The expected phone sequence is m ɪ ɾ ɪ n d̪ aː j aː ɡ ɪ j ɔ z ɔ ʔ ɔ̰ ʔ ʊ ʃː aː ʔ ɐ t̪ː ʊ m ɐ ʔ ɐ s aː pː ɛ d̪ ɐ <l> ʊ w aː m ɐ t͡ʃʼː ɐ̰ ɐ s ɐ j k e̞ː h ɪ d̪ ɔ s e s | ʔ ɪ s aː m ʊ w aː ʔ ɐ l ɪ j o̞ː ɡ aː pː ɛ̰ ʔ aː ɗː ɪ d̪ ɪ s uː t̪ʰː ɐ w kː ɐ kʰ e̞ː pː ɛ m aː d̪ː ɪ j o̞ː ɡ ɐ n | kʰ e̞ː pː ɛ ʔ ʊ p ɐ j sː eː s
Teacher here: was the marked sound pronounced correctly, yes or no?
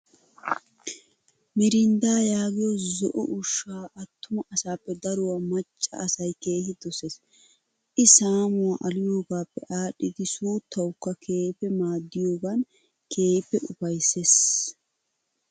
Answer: no